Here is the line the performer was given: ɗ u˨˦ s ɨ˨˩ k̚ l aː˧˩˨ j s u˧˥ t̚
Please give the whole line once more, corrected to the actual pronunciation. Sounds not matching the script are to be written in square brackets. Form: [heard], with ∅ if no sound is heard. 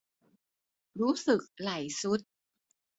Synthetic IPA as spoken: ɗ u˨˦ s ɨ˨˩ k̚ l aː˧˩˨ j s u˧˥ t̚